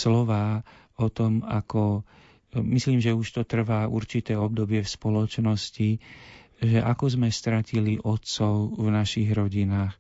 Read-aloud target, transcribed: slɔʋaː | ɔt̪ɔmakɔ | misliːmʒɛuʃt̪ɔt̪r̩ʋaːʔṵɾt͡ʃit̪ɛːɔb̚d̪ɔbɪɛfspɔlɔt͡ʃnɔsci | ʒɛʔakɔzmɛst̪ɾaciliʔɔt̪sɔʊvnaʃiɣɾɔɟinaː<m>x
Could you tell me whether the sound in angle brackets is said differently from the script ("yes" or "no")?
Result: yes